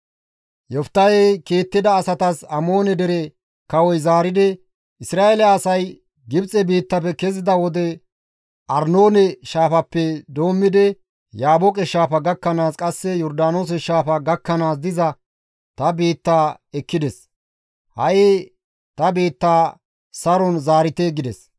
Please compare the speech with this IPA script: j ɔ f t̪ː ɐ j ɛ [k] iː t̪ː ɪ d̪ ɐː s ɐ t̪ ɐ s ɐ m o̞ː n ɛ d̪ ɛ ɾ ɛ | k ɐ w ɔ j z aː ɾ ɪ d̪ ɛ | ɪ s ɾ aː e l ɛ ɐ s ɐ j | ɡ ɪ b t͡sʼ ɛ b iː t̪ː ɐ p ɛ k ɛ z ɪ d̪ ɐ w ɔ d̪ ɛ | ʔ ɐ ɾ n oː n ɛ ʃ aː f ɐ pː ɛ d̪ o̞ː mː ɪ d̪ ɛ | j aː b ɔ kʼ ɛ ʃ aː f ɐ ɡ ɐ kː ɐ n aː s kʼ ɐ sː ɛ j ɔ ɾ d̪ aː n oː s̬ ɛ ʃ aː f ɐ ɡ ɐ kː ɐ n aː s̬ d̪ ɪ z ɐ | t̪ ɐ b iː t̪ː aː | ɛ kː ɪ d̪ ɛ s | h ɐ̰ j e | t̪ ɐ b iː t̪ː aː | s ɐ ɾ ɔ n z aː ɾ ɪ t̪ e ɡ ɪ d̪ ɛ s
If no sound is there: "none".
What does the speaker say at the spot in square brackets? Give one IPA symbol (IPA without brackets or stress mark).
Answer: k